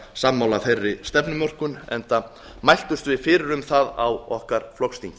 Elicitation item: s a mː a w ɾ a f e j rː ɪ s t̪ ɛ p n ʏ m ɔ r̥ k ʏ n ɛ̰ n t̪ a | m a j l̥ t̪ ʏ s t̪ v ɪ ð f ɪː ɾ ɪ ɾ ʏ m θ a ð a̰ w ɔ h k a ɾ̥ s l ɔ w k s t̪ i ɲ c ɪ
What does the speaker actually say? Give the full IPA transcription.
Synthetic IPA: s a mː a w l a f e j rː ɪ s t̪ ɛ p n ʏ m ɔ r̥ k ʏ n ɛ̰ n t̪ a | m a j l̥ t̪ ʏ s t̪ v ɪ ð f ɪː ɾ ɪ ɾ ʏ m θ a ð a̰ w ɔ h k a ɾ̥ f l ɔ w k s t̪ i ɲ c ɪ

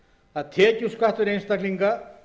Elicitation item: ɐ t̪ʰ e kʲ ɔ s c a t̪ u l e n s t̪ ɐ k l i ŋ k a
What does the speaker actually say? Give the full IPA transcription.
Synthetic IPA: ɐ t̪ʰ e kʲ u s k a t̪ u ɾ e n s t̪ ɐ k l i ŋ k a

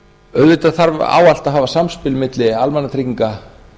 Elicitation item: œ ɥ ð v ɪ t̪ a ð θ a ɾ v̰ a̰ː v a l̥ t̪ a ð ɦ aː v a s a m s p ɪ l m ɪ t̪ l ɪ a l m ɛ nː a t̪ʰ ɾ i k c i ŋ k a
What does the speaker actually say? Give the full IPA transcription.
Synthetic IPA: œ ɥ ð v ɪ t̪ a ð θ a ɾ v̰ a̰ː w a l̥ t̪ a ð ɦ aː v a s a m s p ɪ l m ɪ t̪ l ɪ a l m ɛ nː a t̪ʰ ɾ i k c i ŋ k a

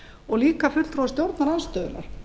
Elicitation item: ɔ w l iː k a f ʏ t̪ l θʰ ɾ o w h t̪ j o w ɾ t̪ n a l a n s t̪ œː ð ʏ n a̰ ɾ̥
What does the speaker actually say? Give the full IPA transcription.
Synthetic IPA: ɔ ɣ l iː k a f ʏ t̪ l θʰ ɾ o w s t̪ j o w ɾ t̪ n a ɾ a n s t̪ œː ð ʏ n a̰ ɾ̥

